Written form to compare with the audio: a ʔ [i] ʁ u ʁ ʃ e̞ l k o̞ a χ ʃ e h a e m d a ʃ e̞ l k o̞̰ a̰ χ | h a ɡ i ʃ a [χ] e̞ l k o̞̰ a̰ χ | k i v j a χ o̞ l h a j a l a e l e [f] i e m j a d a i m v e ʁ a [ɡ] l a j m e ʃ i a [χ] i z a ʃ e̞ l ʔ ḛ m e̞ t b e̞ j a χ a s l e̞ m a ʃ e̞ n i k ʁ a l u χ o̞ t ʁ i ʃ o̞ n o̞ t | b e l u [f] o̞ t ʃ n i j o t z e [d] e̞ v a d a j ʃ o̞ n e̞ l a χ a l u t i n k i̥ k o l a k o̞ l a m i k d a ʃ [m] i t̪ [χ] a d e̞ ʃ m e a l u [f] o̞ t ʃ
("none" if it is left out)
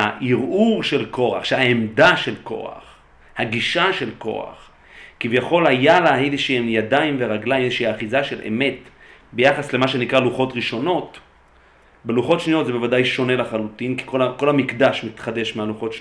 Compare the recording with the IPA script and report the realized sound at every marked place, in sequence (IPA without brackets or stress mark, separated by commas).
i, ʃ, ʃ, ɡ, χ, χ, b, m, χ, χ